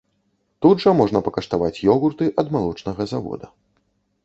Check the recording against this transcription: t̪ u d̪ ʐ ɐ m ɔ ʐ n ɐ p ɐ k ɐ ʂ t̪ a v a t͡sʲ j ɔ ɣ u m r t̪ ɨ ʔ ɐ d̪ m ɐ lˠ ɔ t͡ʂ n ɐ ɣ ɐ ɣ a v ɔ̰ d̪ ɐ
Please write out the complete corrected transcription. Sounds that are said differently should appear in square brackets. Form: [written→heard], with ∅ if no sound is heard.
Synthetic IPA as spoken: t̪ u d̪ ʐ ɐ m ɔ ʐ n ɐ p ɐ k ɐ ʂ t̪ a v a t͡sʲ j ɔ ɣ u [m→∅] r t̪ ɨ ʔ ɐ d̪ m [ɐ→a] lˠ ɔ t͡ʂ n ɐ ɣ ɐ [ɣ→z] a v ɔ̰ d̪ ɐ